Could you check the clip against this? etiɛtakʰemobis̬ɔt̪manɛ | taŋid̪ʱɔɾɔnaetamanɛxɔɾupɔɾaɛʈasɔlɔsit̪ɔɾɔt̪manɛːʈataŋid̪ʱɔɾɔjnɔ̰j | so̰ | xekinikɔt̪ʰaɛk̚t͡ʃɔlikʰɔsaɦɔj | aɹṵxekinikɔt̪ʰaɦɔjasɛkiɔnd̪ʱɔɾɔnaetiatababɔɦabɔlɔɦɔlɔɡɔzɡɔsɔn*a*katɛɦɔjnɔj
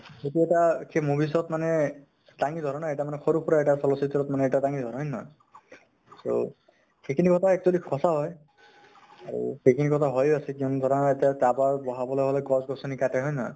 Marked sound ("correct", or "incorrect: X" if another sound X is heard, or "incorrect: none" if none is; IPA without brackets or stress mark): incorrect: i